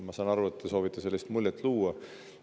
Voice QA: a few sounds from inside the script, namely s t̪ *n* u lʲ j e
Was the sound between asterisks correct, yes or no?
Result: no